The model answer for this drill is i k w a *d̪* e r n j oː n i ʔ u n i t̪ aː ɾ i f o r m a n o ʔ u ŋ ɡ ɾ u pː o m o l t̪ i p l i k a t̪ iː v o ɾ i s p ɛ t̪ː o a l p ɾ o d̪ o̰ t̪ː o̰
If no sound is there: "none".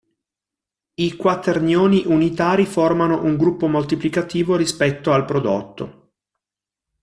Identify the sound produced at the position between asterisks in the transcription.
t̪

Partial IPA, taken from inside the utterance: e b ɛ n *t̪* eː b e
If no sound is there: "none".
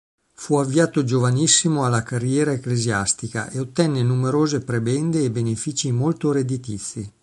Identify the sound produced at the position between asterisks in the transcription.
d̪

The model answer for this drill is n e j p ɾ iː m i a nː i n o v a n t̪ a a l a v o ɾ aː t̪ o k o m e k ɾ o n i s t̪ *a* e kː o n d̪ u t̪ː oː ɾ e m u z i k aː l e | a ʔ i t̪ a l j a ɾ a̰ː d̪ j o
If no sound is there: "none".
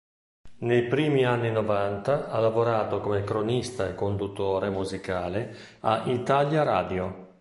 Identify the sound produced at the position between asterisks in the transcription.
a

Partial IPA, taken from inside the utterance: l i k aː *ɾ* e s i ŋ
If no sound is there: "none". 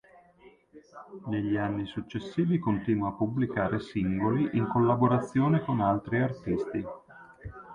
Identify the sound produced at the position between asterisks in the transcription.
ɾ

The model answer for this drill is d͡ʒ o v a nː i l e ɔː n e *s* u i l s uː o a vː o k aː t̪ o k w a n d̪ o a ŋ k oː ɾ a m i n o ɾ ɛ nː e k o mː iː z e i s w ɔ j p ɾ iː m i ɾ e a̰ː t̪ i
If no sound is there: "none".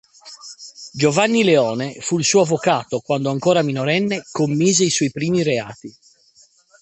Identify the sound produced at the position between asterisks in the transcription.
f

